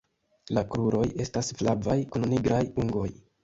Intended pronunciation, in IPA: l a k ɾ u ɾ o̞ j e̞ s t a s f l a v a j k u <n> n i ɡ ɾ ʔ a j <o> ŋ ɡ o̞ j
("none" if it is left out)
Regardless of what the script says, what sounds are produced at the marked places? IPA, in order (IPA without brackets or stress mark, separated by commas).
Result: n, u